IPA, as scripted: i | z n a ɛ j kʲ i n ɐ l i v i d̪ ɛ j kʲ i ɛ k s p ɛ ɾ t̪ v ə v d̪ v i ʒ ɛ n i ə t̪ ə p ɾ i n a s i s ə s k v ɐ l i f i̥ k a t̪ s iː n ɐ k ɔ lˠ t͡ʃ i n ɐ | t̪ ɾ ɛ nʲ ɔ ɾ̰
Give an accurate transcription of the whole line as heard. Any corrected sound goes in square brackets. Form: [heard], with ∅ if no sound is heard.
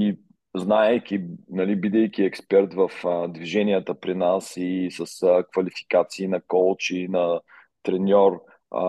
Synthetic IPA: i | z n a ɛ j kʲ i n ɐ l i [b] i d̪ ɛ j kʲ i ɛ k s p ɛ ɾ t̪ v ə [f] d̪ v i ʒ ɛ n i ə t̪ ə p ɾ i n a s i s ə s k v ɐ l i f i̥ k a t̪ s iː n ɐ k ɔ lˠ t͡ʃ i n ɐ | t̪ ɾ ɛ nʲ ɔ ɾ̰